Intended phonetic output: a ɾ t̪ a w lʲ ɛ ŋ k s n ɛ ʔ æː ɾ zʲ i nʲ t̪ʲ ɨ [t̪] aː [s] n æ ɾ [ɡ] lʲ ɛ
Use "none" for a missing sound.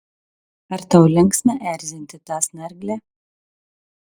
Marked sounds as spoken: t̪, s, ɡ

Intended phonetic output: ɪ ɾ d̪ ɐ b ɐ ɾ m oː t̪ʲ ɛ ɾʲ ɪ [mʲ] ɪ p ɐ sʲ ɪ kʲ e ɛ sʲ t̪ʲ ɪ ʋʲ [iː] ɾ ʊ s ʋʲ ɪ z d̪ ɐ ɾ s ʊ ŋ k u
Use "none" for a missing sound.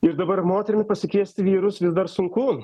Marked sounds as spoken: mʲ, iː

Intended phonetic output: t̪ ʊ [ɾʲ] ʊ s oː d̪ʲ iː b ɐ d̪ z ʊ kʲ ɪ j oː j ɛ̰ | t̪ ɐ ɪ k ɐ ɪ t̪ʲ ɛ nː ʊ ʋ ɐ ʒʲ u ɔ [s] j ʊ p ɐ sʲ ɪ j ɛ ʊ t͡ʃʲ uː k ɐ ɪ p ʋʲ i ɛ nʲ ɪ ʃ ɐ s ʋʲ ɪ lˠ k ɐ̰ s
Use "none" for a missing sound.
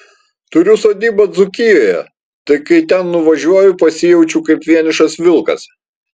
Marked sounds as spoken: ɾʲ, none

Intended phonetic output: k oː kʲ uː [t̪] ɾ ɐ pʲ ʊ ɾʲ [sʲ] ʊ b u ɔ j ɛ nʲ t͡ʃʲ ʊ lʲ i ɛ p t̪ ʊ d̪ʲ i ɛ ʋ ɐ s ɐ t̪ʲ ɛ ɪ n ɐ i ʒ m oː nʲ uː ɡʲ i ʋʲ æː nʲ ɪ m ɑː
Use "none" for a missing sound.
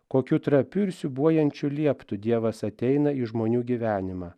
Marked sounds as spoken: t̪, sʲ

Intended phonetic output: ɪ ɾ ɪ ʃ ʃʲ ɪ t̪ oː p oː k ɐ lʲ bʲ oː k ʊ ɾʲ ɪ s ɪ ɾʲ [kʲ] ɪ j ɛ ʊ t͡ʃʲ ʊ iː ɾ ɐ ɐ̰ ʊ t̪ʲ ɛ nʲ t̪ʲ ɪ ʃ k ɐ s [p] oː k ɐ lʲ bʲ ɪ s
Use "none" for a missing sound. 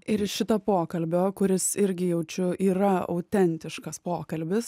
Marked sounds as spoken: ɡʲ, p

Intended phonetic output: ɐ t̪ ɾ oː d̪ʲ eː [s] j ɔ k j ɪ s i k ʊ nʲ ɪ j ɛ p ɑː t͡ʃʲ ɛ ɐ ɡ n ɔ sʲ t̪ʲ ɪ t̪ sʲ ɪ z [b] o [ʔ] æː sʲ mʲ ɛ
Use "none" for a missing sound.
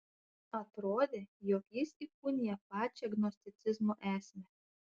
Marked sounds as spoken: none, m, ʔ

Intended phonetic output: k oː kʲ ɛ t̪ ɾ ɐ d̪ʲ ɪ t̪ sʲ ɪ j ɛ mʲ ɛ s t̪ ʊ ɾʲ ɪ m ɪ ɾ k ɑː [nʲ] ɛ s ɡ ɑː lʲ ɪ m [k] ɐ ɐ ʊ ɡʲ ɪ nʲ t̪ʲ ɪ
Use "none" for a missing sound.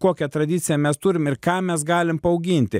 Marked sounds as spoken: mʲ, p

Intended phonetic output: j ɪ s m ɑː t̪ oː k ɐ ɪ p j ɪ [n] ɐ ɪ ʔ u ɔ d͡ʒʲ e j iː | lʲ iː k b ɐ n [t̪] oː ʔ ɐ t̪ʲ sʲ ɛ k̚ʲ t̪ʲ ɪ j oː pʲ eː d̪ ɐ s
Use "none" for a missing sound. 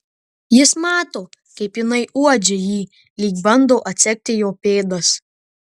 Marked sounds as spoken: n, d̪

